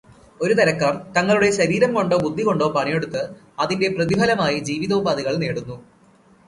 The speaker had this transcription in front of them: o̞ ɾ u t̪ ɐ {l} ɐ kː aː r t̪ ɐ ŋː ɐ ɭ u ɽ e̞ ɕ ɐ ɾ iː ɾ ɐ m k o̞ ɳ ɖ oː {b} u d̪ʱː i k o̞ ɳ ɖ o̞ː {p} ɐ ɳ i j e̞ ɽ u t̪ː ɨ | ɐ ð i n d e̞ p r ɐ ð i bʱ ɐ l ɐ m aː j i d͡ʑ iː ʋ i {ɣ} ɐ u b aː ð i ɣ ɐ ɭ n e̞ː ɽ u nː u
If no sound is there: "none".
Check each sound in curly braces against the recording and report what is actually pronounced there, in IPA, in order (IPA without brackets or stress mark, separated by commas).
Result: ɾ, b, p, ð